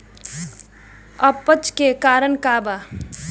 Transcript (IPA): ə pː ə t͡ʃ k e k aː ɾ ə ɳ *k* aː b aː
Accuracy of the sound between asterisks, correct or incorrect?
correct